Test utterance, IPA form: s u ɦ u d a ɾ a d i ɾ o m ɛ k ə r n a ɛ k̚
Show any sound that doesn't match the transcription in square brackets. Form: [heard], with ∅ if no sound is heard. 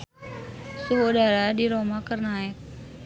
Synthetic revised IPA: s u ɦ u d a ɾ a d i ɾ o m [a] k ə r n a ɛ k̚